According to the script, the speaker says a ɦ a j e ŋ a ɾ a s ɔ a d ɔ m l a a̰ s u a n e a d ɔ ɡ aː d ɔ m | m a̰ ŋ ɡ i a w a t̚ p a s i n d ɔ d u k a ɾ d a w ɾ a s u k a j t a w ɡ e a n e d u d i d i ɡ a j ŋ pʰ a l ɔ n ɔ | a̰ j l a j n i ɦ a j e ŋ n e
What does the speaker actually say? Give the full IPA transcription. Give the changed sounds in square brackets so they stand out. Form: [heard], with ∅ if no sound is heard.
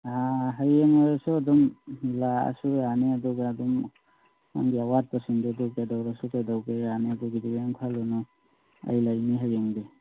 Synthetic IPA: a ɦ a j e ŋ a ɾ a s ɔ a d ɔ m l a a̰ s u a n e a d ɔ ɡ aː d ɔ m | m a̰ ŋ ɡ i a w a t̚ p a s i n d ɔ d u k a [∅] d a w ɾ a s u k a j [d] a w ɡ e a n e d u [ɡ] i d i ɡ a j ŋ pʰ a l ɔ n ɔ | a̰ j l a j n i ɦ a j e ŋ [d] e